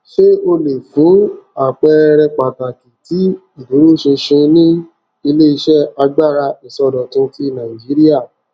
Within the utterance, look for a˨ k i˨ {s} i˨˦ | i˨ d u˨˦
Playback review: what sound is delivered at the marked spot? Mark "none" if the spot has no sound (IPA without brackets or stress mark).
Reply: t